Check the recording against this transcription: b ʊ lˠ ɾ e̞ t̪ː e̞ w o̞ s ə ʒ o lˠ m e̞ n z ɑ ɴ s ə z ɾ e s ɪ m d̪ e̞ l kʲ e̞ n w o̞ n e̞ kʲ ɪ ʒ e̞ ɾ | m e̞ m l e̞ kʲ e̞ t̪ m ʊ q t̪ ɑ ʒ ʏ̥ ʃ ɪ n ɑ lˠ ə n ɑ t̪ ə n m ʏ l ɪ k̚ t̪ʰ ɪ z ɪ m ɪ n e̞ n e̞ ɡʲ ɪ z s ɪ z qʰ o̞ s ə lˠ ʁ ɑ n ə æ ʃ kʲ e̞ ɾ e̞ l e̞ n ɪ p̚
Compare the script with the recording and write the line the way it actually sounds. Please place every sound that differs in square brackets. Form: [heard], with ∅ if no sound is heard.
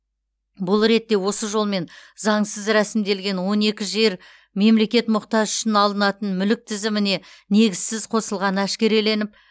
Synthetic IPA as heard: b ʊ lˠ ɾ e̞ t̪ː e̞ w o̞ s ə ʒ o lˠ m e̞ n z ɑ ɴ s ə z ɾ [æ] s ɪ m d̪ e̞ l [ɡʲ] e̞ n w o̞ n e̞ kʲ ɪ ʒ e̞ ɾ | m e̞ m l e̞ kʲ e̞ t̪ m ʊ q t̪ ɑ ʒ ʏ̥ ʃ ɪ n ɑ lˠ ə n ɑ t̪ ə n m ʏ l ɪ k̚ t̪ʰ ɪ z ɪ m ɪ n e̞ n e̞ ɡʲ ɪ z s ɪ z qʰ o̞ s ə lˠ ʁ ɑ n ə æ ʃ kʲ e̞ ɾ e̞ l e̞ n ɪ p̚

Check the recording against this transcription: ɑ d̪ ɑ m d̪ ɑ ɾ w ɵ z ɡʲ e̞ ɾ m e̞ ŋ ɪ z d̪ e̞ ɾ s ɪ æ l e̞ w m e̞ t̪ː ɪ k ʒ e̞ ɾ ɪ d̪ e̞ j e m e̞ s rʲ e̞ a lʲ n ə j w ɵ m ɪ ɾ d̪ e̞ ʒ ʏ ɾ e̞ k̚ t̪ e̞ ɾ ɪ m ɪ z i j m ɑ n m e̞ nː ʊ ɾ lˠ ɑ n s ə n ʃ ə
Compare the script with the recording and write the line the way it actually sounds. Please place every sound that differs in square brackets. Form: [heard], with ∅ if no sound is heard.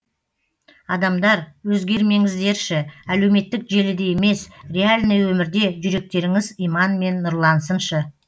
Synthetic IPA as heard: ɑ d̪ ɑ m d̪ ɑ ɾ w ɵ z ɡʲ e̞ ɾ m e̞ ŋ ɪ z d̪ e̞ ɾ [ʃ] ɪ æ l e̞ w m e̞ t̪ː ɪ k ʒ e̞ [l] ɪ d̪ e̞ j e m e̞ s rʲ e̞ a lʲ n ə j w ɵ m ɪ ɾ d̪ e̞ ʒ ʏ ɾ e̞ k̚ t̪ e̞ ɾ ɪ [ŋ] ɪ z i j m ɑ n m e̞ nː ʊ ɾ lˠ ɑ n s ə n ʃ ə

